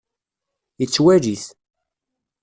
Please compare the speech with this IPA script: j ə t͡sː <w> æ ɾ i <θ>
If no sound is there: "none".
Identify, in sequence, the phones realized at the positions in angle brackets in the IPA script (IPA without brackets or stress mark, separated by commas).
w, θ